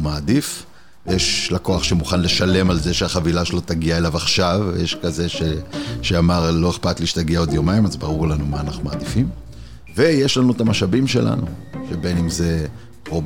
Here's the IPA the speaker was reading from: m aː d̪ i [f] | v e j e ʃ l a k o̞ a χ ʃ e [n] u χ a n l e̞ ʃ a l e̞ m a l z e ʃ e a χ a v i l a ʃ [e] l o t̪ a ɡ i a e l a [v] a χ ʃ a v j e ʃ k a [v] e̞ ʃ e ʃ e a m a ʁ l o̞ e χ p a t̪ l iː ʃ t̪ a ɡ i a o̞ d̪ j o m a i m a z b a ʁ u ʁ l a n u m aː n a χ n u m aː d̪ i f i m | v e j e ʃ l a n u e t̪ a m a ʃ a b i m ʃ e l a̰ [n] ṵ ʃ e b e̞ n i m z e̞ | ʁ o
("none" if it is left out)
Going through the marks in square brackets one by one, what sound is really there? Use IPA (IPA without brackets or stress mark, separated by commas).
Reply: f, m, e, v, z, n